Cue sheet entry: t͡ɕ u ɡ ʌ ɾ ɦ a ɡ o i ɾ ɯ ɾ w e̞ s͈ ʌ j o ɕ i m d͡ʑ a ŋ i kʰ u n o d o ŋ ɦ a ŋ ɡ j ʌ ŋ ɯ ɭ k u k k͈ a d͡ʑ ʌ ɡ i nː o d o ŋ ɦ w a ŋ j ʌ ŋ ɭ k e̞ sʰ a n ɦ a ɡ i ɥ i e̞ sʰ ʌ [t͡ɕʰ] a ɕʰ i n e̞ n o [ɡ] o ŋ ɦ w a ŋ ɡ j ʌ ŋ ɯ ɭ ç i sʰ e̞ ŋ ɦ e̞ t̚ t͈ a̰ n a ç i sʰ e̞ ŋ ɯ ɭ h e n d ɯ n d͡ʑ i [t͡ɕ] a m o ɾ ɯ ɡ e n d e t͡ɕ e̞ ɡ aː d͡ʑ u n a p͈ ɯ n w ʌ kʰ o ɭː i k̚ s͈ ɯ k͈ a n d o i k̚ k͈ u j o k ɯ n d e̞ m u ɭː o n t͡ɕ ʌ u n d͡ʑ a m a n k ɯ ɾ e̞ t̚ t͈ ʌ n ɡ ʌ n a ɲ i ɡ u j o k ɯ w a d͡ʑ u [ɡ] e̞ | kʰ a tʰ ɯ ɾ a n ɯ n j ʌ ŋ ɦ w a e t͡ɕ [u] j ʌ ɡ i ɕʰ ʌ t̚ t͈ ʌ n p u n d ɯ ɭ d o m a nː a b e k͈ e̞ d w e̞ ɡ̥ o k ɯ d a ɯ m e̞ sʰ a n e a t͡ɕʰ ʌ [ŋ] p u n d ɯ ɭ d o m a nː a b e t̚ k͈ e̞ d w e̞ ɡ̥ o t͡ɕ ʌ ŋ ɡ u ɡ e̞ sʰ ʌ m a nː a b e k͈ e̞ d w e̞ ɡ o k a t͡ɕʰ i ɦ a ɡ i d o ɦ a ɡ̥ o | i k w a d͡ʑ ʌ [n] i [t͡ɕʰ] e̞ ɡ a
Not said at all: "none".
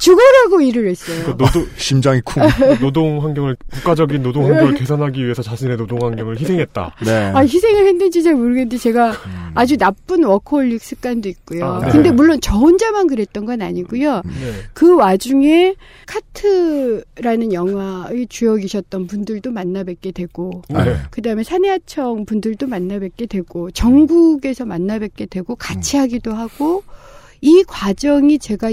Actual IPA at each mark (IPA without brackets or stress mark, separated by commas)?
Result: t͡ɕ, d, t͡ɕ, ŋ, u, ŋ, ŋ, t͡ɕ